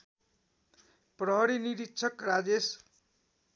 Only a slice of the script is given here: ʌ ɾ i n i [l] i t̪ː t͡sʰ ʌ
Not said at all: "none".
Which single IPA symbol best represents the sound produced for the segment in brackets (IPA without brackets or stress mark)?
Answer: ɾ